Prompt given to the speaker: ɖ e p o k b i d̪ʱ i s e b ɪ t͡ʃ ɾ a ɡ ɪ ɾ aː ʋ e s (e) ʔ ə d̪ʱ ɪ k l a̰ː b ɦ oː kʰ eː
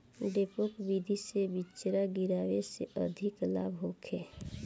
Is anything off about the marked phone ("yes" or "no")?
no